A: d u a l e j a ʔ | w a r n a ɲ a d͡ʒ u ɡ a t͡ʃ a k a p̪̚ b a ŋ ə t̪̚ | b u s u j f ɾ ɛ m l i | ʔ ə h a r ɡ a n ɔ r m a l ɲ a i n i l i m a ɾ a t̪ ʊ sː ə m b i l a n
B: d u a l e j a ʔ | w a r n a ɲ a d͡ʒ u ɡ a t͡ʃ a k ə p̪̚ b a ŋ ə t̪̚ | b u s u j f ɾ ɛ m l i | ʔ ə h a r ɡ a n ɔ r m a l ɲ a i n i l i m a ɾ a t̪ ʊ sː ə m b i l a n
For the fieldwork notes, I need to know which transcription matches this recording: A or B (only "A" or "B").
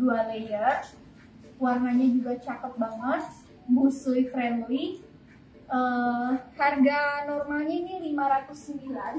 B